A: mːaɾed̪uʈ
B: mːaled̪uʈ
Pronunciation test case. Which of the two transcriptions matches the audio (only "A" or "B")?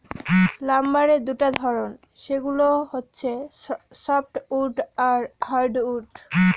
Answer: A